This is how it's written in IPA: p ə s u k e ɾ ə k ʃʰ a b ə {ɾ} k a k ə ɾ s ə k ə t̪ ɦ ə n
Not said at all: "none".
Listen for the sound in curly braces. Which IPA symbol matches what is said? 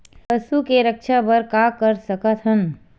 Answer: ɾ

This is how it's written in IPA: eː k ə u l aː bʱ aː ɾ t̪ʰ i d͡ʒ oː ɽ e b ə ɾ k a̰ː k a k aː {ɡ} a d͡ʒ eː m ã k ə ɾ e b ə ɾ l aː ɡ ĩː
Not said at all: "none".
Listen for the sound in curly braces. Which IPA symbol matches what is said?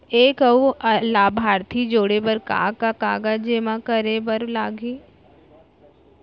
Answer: ɡ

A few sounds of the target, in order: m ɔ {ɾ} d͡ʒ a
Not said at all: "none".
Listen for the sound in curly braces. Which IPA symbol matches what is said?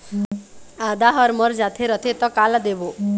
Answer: ɾ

